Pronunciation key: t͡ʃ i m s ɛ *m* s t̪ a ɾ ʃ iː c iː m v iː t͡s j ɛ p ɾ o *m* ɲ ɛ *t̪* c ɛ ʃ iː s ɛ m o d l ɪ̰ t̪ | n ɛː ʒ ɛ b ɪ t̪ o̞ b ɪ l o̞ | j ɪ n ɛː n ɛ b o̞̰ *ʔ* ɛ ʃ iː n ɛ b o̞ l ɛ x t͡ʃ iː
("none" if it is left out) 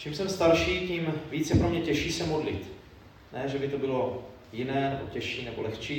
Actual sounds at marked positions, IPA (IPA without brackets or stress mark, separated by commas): m, m, none, c